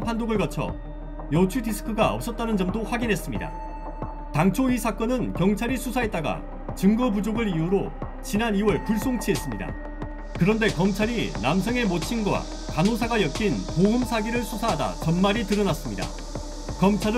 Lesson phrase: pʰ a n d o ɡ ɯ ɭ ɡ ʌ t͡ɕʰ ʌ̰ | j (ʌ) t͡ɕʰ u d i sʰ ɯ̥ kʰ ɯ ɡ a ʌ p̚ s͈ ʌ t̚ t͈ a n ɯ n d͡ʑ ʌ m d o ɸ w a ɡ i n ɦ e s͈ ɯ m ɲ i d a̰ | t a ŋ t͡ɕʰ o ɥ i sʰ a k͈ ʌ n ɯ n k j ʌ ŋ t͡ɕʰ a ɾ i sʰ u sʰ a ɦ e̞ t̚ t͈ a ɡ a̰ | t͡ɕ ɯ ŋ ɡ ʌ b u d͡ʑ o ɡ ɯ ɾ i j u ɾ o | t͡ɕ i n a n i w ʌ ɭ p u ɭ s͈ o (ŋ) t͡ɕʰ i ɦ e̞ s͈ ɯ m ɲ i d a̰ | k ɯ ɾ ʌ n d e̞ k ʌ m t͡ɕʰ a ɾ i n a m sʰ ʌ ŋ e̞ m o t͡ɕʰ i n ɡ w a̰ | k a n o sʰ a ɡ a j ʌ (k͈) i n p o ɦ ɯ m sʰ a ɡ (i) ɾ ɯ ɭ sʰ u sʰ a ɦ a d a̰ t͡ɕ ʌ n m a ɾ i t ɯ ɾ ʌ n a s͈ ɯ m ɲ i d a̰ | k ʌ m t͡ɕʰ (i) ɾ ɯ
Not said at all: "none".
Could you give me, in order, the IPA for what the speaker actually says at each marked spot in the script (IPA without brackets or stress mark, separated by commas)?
ʌ, ŋ, k͈, i, a